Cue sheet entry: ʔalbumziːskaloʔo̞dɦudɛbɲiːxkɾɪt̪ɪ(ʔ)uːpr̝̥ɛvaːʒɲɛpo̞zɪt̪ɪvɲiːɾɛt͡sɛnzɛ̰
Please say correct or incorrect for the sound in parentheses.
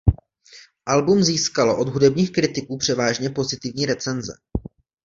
incorrect